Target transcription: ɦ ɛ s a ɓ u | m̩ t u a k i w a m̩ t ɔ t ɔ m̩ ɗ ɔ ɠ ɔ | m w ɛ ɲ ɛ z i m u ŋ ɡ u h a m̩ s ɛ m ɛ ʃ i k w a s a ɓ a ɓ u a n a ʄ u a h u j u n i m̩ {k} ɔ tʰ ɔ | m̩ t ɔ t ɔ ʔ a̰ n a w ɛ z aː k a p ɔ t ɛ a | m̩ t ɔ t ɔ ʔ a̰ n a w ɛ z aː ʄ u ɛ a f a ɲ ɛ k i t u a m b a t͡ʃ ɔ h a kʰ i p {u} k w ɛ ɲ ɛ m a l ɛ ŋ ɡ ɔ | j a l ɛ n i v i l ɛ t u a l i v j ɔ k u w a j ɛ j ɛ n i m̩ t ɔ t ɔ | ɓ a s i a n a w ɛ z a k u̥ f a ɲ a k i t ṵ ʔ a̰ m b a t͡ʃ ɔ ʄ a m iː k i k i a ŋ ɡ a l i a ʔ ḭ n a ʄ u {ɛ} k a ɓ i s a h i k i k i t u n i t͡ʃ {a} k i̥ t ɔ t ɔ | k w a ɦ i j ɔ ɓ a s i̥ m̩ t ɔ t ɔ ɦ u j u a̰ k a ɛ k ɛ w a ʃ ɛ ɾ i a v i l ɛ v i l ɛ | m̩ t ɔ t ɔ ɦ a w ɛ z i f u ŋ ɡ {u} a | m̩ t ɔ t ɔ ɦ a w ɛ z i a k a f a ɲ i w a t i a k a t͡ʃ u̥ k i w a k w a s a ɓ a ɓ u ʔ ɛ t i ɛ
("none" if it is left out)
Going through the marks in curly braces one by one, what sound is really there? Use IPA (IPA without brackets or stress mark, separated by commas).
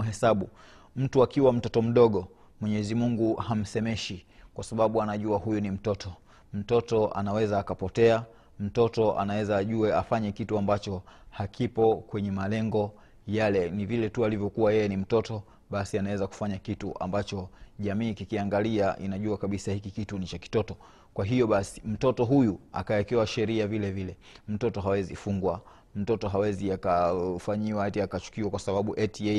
t, ɔ, a, a, w